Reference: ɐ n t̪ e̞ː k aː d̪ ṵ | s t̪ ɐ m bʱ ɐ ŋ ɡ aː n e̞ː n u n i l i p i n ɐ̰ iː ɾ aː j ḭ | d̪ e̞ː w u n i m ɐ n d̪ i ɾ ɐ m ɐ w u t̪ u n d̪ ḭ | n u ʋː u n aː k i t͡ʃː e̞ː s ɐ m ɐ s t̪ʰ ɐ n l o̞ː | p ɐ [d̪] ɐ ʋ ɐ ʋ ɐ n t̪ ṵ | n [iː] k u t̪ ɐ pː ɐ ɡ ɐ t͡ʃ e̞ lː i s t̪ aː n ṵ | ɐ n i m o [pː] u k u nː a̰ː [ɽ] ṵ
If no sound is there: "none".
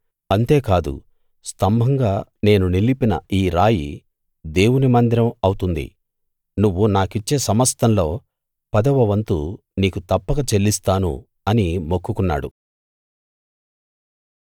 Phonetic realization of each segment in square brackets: d̪, iː, kː, ɽ

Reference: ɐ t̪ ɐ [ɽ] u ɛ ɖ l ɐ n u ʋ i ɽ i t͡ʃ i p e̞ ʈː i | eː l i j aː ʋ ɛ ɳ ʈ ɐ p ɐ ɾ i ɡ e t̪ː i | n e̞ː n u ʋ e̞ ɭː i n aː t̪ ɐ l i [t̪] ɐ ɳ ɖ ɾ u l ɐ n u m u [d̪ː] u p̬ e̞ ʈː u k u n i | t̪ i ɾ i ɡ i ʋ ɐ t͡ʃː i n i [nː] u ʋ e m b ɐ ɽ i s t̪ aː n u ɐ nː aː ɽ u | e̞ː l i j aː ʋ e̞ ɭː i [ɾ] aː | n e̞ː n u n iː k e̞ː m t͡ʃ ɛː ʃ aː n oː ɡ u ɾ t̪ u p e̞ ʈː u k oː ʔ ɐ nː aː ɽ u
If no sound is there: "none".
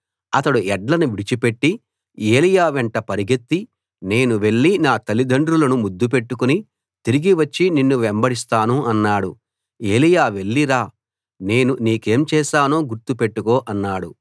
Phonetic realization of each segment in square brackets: ɽ, d̪, d̪ː, nː, ɾ

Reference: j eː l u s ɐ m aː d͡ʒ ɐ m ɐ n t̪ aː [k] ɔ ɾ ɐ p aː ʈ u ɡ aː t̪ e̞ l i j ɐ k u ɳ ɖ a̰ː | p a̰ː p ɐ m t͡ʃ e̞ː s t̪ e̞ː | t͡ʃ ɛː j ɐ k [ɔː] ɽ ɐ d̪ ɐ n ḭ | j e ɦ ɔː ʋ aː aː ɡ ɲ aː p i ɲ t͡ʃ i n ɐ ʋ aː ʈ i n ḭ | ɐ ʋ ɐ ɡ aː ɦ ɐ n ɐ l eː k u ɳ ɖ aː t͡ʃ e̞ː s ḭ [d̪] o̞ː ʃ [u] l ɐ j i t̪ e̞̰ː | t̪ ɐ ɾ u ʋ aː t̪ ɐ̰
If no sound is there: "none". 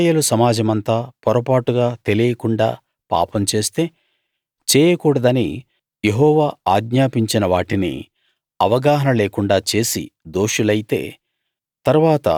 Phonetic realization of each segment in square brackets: p, uː, d̪, u

